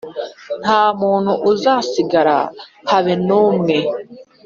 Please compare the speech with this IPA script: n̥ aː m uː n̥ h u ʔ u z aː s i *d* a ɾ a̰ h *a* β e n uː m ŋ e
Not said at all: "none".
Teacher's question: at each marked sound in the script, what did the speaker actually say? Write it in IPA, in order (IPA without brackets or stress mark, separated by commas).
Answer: ɡ, a